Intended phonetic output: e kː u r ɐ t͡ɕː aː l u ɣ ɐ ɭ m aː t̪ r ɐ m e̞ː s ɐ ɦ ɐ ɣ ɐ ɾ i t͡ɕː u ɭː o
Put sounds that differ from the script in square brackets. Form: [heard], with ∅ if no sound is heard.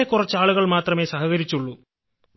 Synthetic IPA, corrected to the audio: e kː u r ɐ t͡ɕː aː [ɭ] u ɣ ɐ ɭ m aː t̪ r ɐ m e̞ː s ɐ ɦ ɐ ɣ ɐ ɾ i t͡ɕː u ɭː [u]